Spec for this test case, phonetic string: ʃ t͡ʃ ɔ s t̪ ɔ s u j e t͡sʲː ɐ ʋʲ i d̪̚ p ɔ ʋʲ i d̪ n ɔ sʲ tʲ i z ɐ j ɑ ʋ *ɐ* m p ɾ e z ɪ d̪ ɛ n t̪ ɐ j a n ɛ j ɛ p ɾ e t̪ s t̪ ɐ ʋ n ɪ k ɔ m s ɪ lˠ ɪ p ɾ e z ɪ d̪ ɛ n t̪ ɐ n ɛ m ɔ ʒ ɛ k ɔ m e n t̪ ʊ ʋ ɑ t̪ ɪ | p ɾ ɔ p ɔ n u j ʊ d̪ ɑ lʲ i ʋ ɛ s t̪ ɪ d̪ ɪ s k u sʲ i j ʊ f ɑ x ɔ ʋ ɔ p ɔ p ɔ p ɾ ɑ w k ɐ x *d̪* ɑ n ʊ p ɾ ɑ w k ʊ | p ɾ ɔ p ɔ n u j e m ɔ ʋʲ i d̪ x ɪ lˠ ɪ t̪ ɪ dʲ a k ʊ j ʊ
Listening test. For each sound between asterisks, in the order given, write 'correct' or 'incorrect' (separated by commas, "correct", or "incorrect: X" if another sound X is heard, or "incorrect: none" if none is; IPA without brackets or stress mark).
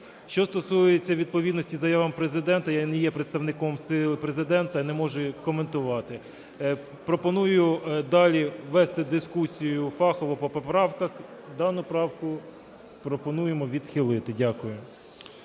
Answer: correct, correct